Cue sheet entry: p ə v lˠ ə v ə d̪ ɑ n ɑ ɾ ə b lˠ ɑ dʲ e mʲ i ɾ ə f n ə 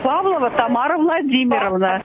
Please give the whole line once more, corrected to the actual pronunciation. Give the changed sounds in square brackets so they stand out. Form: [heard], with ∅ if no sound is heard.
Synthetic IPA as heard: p [ɑ] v lˠ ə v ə [t̪] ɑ [m] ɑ ɾ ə [v] lˠ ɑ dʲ [i] mʲ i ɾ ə [v] n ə